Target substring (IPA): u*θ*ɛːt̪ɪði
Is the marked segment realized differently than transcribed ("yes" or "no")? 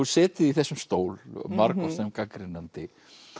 yes